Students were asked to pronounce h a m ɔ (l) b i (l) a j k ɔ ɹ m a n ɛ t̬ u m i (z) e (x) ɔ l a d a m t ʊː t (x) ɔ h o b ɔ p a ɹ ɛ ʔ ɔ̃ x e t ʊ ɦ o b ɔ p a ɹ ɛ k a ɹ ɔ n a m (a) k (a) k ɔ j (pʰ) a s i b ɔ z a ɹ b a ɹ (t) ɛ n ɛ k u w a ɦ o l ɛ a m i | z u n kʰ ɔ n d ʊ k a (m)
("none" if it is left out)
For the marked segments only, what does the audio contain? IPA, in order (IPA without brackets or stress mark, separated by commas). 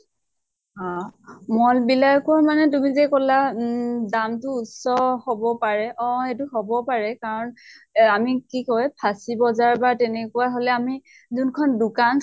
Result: l, l, z, k, s, i, i, pʰ, t, n